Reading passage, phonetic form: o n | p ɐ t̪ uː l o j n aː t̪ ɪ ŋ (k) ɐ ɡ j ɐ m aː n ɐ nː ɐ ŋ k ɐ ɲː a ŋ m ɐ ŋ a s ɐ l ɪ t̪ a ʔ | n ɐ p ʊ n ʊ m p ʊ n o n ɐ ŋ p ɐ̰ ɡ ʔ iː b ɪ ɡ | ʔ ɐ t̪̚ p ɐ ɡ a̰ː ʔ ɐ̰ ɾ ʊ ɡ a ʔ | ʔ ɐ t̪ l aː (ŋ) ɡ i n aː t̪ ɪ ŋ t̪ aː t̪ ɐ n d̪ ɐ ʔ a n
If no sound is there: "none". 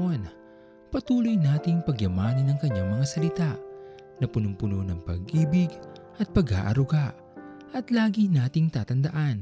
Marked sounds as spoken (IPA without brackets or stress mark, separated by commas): p, none